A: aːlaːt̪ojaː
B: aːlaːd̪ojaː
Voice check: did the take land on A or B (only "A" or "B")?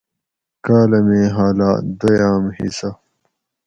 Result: B